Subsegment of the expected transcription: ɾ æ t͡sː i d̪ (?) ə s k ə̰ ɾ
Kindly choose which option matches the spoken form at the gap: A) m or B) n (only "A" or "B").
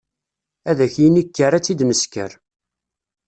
A